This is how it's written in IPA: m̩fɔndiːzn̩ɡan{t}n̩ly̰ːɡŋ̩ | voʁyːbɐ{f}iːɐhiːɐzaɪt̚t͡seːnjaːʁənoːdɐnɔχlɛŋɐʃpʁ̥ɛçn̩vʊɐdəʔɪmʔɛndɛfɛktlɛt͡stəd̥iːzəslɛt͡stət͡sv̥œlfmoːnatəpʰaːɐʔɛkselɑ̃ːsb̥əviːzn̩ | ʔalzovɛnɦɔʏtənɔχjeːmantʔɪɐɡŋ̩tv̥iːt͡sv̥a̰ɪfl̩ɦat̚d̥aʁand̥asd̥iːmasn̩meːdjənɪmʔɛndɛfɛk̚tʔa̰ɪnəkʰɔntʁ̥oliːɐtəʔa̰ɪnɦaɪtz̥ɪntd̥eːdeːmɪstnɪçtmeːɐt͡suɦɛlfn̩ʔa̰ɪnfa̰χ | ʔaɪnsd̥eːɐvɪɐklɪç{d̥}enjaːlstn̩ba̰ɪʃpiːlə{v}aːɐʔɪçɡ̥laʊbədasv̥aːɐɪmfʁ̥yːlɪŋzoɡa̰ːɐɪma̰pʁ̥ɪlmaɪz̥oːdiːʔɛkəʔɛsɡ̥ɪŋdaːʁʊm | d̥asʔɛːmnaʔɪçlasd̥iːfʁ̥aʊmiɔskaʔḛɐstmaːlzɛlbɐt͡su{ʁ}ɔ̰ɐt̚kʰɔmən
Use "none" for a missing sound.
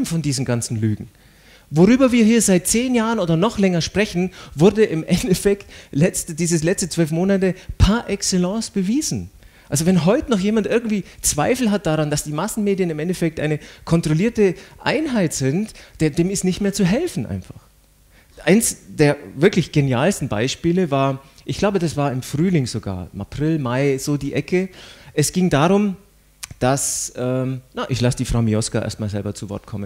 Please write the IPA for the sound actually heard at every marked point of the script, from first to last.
t͡s, v, ɡ̥, v, v

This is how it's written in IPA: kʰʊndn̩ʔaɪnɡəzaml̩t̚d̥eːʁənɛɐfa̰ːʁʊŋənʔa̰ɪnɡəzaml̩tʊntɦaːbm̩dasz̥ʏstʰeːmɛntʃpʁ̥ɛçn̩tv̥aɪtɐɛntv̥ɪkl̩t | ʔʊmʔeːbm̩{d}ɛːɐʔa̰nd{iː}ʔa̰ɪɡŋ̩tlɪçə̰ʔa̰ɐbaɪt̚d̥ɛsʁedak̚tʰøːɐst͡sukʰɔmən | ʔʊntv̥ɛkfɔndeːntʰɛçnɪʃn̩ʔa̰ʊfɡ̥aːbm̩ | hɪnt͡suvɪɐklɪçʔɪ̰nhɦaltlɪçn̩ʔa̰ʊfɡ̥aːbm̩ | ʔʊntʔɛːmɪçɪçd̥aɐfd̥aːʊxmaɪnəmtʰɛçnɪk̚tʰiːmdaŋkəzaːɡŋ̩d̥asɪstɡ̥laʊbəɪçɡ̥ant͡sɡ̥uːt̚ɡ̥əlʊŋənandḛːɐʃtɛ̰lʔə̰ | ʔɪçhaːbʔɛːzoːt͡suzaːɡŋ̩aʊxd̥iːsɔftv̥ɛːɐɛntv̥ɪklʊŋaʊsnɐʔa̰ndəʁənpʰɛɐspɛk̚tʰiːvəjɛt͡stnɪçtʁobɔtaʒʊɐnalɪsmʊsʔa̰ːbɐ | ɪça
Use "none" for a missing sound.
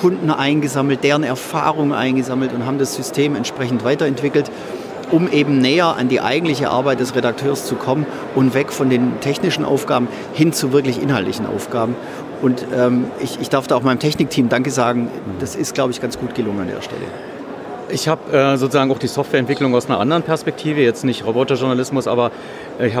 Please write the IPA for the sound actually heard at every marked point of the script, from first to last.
n, iː

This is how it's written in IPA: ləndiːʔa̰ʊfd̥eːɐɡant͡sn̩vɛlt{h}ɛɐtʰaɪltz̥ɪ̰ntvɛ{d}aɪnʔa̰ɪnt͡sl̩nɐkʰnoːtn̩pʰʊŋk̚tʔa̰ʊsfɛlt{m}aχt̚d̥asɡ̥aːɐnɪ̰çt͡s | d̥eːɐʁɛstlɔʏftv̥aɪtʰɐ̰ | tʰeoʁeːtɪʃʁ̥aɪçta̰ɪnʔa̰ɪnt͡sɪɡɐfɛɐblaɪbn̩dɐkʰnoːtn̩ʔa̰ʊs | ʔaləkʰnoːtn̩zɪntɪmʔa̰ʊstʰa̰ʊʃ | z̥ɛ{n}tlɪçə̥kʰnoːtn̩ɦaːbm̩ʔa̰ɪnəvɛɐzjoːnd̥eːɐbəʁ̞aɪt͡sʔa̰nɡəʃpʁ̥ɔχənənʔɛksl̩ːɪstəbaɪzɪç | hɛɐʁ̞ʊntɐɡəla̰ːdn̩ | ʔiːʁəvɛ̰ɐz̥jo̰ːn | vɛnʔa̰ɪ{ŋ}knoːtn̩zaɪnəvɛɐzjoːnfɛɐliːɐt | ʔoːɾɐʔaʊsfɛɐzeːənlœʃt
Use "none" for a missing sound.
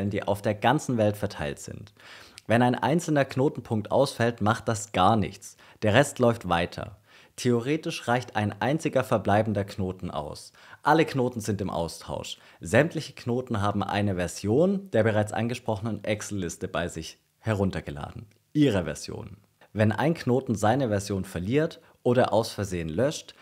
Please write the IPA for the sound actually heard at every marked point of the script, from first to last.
f, n, m, m, n

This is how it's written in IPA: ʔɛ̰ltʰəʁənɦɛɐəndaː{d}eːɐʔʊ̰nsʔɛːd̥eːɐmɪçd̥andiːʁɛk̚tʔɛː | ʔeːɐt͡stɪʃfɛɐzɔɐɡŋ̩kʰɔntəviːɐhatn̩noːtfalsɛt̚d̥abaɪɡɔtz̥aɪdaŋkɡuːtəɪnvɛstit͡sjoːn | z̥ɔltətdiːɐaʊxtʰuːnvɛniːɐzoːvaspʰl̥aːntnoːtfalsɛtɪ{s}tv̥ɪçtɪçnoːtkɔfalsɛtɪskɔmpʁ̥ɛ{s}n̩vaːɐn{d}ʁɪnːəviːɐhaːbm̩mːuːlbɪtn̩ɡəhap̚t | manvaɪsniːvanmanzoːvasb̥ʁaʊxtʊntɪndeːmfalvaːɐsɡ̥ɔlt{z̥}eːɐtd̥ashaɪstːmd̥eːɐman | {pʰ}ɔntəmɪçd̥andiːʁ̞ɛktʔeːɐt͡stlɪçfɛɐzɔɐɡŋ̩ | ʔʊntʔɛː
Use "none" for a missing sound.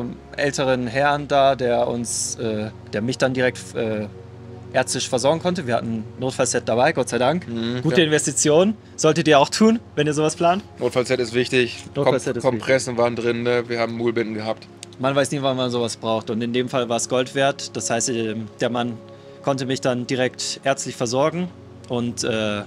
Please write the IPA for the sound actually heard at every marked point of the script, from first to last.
d, s, s, d, v̥, kʰ

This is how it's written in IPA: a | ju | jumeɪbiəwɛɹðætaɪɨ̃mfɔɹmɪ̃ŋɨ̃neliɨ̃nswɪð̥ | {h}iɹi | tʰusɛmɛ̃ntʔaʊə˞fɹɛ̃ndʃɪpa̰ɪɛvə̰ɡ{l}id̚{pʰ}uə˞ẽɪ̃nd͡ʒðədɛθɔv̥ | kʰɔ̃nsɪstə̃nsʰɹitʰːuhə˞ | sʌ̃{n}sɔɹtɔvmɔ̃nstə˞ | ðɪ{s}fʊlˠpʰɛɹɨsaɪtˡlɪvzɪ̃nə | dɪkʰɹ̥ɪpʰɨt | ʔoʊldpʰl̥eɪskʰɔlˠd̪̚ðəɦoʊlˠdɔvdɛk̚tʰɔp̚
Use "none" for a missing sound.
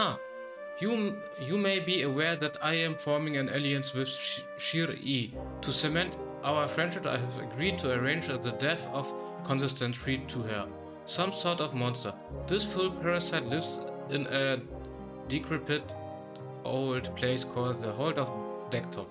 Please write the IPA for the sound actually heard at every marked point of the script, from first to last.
ʃ, ɹ, tʰ, m, s

